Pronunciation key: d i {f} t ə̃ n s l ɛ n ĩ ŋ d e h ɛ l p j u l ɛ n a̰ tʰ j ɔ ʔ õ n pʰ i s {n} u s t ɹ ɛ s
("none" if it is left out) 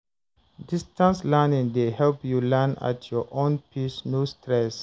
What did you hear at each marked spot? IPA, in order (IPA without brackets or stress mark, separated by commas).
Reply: s, n